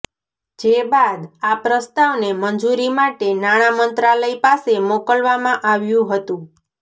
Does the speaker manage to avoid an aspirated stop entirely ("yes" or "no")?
yes